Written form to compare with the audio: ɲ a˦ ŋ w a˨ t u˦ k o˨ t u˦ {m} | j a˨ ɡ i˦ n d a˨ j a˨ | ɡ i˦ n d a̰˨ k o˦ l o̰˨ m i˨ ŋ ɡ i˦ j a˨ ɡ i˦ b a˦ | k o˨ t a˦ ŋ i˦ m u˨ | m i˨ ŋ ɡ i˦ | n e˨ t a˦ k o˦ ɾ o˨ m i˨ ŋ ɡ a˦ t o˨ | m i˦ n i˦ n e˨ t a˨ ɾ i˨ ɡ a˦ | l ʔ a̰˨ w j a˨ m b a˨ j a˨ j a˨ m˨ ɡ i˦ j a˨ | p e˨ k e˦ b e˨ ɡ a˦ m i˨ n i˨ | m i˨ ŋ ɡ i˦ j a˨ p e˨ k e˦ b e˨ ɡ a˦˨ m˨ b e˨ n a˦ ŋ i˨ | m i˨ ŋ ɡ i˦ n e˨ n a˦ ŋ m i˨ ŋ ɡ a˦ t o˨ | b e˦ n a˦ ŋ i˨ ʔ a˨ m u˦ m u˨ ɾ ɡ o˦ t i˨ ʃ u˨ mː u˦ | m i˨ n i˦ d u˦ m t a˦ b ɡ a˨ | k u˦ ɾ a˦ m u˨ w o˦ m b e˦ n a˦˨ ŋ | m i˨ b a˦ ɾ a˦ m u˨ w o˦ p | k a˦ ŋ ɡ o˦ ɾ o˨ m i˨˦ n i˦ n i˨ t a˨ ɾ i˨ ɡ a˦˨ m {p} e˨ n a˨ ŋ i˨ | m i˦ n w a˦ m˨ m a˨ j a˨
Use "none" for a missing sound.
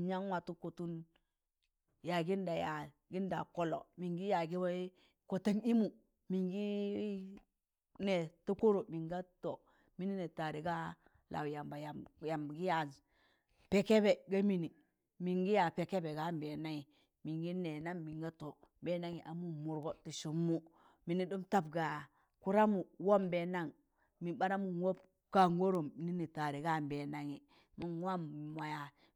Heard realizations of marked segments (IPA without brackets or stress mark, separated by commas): n, b